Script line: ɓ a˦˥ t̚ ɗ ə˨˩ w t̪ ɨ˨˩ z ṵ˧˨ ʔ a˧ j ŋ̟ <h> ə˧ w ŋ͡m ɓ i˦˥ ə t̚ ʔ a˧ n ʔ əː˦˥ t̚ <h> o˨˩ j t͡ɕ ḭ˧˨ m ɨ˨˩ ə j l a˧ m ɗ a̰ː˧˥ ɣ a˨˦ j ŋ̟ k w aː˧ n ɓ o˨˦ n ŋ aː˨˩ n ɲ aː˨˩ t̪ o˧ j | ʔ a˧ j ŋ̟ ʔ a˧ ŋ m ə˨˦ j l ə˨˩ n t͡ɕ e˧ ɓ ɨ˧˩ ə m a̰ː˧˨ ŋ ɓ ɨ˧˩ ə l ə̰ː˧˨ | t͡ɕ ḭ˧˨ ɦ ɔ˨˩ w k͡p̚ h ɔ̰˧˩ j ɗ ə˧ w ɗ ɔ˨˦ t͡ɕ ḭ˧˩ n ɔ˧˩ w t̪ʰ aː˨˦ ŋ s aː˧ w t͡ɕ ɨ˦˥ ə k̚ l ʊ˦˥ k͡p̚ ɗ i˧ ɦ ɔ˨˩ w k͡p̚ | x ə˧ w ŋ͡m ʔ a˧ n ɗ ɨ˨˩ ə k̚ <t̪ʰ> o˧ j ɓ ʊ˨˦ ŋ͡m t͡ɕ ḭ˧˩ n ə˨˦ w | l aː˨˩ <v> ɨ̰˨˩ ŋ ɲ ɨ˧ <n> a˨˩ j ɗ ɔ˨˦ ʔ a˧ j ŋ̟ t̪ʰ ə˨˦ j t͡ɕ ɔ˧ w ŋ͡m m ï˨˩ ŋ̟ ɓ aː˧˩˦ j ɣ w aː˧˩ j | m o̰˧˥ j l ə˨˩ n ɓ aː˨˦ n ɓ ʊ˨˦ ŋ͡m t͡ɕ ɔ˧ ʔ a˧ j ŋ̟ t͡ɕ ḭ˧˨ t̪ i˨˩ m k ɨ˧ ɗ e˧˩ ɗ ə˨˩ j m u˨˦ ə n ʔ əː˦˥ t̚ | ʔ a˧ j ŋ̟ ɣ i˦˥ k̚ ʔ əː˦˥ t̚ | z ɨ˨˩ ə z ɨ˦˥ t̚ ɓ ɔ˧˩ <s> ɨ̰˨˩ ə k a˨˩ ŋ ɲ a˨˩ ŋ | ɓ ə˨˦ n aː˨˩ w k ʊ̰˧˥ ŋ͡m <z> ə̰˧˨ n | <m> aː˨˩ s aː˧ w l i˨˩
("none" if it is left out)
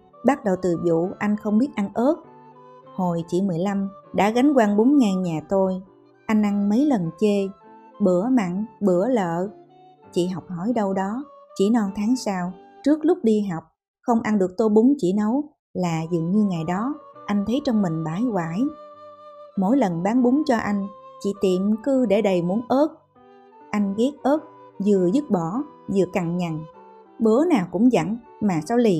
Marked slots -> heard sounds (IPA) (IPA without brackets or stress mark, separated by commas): x, h, t̪, z, ŋ, z, z, m